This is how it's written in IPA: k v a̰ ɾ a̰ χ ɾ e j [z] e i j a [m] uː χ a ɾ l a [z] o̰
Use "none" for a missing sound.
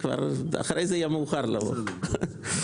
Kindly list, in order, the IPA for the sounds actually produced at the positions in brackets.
z, m, v

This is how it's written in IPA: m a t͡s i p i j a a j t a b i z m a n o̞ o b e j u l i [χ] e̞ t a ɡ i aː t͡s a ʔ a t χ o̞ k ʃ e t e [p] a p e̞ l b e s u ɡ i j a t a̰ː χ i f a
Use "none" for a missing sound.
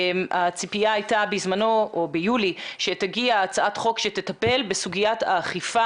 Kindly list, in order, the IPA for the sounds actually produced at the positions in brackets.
ʃ, t

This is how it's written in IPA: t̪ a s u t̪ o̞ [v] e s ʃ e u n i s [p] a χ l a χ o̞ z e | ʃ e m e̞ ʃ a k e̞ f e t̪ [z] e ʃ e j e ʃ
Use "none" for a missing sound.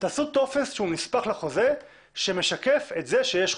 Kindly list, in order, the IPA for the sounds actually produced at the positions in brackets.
f, p, z

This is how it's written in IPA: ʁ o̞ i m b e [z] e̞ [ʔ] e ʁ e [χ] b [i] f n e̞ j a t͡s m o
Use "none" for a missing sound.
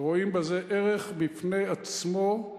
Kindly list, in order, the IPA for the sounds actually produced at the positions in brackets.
z, ʔ, χ, i

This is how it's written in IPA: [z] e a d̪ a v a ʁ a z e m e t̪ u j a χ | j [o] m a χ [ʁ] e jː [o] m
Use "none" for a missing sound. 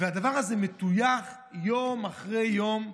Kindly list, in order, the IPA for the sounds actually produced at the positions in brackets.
v, o, ʁ, o

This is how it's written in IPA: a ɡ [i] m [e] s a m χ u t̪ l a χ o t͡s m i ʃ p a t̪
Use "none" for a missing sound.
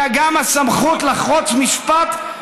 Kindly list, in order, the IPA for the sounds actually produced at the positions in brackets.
a, a

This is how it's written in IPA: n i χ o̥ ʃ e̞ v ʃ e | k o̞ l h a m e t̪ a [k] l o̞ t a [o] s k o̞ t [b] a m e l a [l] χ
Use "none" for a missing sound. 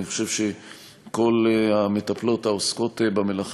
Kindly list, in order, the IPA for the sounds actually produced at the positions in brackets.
p, o, b, none

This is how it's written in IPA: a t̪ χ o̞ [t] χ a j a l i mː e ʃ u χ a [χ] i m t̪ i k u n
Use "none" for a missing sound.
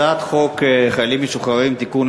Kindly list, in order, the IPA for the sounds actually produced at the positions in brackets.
k, ʁ

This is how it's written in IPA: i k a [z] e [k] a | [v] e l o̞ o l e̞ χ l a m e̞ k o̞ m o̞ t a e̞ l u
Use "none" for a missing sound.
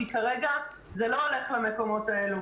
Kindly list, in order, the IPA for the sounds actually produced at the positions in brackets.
ʁ, ɡ, z

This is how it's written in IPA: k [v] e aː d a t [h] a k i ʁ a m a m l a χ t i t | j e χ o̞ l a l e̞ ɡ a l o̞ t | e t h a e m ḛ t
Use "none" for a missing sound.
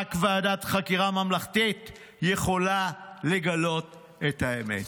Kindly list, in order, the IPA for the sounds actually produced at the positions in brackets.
v, χ

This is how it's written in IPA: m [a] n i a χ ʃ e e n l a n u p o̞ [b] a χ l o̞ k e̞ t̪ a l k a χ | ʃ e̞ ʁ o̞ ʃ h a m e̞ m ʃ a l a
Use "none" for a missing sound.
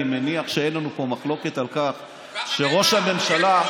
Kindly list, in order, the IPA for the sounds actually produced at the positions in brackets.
e, m

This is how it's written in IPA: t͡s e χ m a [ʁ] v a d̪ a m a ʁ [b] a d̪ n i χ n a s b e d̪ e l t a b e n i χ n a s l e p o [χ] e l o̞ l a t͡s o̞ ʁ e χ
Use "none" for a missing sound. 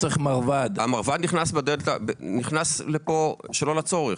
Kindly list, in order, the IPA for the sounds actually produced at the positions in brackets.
ʁ, v, ʃ

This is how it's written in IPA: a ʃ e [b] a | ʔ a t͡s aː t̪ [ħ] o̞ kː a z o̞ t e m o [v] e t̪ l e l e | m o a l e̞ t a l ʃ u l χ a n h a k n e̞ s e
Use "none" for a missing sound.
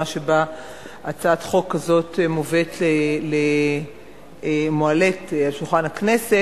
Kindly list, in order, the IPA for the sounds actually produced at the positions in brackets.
b, χ, v

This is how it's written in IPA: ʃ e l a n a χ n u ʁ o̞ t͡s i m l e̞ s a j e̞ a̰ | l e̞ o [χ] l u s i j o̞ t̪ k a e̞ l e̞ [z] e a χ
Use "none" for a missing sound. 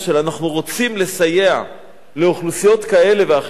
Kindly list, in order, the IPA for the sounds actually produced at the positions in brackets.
χ, v

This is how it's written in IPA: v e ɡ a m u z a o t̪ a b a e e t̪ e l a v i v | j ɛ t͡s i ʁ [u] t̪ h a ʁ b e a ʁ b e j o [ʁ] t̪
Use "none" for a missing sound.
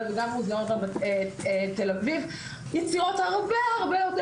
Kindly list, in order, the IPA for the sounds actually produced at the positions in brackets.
o, none

